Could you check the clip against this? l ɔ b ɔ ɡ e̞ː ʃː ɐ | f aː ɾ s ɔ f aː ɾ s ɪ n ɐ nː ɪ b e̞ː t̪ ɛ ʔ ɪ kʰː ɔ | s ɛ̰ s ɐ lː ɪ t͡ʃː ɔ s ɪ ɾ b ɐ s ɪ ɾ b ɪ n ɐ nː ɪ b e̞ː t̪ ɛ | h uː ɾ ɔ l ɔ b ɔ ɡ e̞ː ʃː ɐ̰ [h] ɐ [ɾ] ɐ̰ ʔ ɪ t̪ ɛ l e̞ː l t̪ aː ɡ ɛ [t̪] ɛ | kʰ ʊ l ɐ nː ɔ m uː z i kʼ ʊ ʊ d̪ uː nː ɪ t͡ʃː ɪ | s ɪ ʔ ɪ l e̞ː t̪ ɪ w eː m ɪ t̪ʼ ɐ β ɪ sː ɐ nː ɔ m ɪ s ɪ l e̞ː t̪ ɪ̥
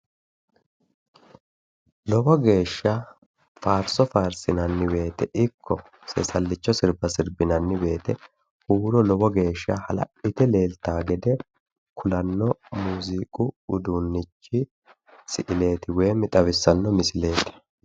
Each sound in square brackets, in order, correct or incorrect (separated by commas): correct, incorrect, incorrect